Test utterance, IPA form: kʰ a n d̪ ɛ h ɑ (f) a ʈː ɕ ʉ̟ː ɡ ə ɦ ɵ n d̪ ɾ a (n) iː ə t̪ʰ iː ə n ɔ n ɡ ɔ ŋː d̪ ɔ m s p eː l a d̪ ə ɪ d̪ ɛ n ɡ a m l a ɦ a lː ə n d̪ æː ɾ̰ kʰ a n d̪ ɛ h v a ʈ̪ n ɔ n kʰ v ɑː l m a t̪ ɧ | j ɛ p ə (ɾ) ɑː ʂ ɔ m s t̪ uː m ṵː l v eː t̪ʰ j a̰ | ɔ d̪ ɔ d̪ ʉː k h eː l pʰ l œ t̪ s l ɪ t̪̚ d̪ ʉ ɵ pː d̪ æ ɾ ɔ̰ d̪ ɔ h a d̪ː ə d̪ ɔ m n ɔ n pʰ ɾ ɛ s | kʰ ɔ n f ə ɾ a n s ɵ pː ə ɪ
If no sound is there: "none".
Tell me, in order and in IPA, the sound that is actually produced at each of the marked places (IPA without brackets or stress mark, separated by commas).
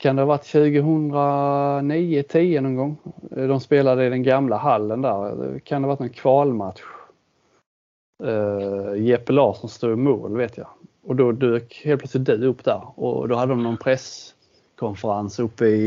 v, n, l